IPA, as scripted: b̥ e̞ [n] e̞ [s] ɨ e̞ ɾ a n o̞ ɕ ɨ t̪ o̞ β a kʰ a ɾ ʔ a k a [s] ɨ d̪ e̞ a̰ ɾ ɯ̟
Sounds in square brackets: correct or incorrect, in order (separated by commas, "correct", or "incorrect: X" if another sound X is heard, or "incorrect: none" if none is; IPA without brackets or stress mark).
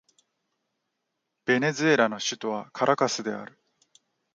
correct, incorrect: z, correct